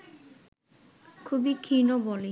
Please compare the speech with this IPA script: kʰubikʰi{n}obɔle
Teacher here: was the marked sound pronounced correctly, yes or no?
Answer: yes